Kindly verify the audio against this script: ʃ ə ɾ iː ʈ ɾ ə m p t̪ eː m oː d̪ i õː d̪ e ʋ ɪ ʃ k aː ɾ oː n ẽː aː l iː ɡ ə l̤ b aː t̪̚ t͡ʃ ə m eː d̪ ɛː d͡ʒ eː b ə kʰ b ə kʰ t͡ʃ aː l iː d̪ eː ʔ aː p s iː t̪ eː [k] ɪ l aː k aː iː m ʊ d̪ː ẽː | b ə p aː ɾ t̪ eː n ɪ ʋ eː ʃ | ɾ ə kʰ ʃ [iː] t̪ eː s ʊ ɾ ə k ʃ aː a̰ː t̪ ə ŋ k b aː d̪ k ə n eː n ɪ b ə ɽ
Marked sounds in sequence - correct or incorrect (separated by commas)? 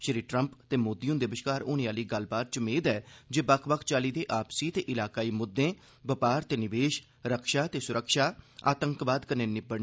incorrect, incorrect